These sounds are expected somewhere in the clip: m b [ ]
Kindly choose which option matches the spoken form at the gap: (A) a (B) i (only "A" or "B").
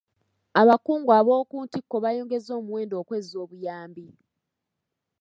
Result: B